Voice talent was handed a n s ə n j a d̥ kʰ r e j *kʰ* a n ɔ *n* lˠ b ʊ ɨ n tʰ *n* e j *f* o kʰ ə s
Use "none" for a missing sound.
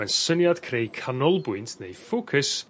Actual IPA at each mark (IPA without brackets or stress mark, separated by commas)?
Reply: kʰ, none, n, f